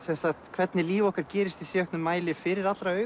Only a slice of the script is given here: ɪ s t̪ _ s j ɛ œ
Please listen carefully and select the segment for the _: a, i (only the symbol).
i